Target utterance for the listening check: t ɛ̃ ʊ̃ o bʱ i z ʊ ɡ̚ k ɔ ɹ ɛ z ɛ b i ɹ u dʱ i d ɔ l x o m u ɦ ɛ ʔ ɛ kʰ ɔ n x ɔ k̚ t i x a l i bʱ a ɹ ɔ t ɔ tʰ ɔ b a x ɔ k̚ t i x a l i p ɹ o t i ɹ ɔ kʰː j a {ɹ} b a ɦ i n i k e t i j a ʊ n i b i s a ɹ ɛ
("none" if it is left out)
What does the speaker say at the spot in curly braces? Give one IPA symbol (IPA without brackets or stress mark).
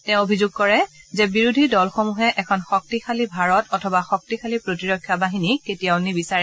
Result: none